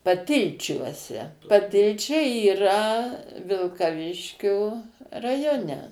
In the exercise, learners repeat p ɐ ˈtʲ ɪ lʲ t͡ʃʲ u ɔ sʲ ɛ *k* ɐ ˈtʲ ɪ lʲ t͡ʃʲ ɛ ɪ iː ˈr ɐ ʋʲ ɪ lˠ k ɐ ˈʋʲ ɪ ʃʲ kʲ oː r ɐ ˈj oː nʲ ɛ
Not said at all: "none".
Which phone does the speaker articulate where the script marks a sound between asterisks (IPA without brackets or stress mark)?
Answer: p